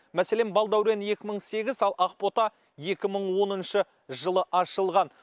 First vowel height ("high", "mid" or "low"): low